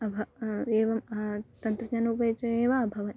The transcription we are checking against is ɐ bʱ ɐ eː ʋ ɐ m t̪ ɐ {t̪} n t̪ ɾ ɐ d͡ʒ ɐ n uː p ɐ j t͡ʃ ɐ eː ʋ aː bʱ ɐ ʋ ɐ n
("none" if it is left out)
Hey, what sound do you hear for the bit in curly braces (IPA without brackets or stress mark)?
none